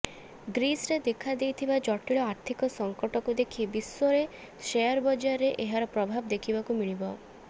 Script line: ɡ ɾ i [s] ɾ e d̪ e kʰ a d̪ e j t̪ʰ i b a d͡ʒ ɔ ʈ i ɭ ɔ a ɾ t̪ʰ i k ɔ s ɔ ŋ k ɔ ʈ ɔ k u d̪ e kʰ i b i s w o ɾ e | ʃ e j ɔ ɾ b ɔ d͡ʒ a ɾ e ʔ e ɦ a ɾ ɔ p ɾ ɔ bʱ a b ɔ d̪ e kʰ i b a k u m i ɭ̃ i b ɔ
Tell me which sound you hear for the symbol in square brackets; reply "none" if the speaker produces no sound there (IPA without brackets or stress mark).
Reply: s